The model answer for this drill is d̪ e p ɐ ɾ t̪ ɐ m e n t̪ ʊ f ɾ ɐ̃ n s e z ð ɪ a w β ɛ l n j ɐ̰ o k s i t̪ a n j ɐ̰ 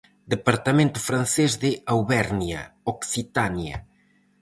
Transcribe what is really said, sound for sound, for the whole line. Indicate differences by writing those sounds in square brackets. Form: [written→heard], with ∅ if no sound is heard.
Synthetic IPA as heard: d̪ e p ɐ ɾ t̪ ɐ m [e→ẽ] n t̪ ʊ f ɾ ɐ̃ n s e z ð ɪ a w β ɛ [l→ɾ] n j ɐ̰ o k s i t̪ a n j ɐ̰